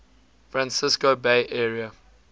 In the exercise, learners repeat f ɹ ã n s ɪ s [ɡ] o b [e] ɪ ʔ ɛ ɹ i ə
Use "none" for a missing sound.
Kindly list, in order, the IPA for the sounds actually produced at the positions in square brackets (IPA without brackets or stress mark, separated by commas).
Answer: k, e